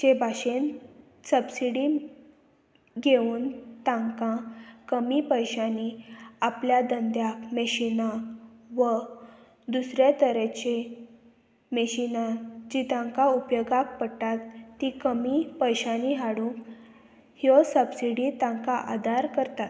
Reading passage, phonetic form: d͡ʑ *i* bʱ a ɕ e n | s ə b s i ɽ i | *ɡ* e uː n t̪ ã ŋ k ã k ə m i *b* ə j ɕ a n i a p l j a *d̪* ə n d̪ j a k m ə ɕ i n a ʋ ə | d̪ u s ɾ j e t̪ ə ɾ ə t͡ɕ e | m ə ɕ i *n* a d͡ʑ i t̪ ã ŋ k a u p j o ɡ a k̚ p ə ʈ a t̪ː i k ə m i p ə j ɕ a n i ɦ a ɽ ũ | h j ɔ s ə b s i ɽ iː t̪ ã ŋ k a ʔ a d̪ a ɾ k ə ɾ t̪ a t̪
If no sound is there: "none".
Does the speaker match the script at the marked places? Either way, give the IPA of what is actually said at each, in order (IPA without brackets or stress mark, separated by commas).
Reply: e, ɡ, p, d̪, n